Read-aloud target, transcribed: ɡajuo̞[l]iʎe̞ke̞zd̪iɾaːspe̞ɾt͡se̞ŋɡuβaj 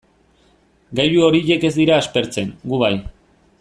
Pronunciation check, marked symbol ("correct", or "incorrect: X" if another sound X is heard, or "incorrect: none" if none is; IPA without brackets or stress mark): incorrect: ɾ